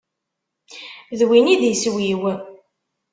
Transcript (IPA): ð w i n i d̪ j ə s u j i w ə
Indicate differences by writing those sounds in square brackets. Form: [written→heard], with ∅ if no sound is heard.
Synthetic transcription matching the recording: ð w i n i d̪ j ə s [u→w] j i w ə